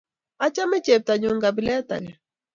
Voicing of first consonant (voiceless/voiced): voiceless